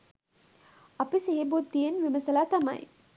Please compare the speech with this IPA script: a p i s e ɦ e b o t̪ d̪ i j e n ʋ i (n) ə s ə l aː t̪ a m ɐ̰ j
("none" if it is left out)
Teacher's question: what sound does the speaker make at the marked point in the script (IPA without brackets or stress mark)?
m